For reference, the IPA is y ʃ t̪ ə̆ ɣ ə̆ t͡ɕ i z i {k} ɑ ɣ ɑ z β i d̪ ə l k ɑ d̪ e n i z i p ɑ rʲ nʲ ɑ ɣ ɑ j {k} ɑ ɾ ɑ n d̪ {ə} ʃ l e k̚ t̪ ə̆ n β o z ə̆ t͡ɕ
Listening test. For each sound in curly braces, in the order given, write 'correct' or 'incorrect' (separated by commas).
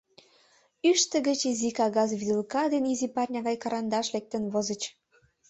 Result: correct, correct, incorrect